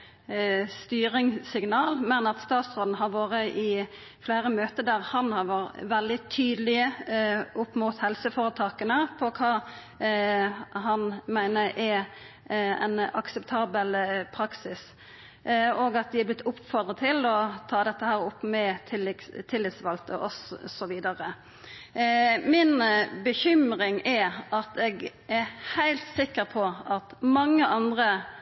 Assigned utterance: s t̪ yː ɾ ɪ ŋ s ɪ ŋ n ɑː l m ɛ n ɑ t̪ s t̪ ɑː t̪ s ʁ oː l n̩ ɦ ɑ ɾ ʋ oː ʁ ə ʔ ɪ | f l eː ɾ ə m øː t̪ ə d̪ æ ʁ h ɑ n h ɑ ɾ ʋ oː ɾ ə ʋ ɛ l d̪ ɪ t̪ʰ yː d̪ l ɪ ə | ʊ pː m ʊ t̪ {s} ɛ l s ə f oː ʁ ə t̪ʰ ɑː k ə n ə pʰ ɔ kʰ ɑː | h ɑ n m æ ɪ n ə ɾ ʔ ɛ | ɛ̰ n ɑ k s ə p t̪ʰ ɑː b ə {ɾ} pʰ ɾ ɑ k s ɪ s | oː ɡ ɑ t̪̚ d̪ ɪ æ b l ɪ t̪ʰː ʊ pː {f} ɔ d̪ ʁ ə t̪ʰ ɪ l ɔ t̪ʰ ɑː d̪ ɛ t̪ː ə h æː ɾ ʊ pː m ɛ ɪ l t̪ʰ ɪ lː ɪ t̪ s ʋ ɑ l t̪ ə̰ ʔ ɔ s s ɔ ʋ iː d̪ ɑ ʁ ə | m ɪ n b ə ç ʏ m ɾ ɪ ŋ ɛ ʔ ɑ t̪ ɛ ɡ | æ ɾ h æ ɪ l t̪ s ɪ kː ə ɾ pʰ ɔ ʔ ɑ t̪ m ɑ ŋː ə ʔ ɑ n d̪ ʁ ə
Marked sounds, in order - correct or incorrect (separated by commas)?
incorrect, incorrect, correct